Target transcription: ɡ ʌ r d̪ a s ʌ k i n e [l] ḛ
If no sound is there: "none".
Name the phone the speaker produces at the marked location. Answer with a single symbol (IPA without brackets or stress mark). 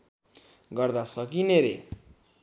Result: ɾ